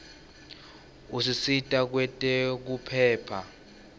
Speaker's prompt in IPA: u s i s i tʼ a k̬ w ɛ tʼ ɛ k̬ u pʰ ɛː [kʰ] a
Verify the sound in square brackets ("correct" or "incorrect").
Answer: incorrect